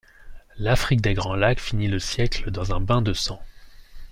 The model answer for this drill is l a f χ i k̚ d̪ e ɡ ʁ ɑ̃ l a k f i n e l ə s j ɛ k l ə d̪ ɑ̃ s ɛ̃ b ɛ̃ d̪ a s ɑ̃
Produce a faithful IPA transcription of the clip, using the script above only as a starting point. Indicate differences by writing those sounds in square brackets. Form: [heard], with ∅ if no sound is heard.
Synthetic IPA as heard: l a f χ i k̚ d̪ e ɡ ʁ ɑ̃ l a k f i n [i] l ə s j ɛ k l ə d̪ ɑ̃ [z] ɛ̃ b ɛ̃ d̪ [ə] s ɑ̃